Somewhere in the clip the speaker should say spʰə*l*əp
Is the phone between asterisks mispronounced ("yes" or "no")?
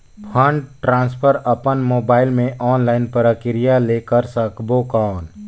yes